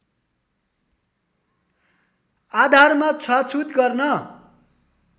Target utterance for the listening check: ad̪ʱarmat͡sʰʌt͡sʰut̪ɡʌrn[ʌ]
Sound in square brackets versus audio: correct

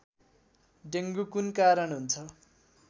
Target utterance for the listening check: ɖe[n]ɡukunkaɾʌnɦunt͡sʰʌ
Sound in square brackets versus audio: incorrect: ŋ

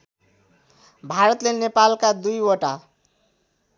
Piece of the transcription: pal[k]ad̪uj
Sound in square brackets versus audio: correct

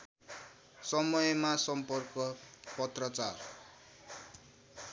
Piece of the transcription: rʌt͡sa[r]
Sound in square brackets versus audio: correct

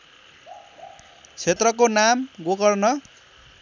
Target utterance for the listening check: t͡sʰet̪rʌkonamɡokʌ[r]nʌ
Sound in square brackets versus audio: correct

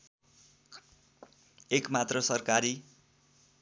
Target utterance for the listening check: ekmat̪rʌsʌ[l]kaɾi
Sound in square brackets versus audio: incorrect: r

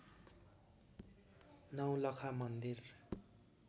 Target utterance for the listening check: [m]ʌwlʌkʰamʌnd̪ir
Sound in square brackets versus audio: incorrect: n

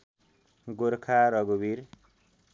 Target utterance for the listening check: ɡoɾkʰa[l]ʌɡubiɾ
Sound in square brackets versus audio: incorrect: ɾ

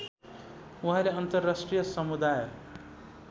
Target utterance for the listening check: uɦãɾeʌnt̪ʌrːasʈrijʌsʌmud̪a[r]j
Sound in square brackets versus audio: incorrect: none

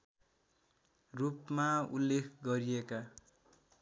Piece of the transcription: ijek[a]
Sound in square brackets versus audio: correct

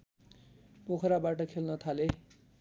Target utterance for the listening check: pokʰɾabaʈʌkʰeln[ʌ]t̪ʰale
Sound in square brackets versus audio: correct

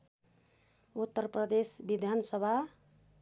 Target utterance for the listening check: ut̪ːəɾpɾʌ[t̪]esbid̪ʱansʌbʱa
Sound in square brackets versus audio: incorrect: d̪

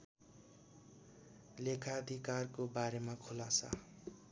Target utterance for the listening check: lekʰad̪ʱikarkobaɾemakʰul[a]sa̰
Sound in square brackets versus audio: correct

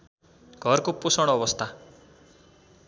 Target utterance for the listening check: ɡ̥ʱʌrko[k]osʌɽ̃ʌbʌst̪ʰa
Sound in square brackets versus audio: incorrect: p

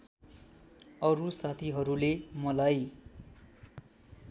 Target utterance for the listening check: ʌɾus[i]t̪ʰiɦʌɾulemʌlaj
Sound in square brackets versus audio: incorrect: a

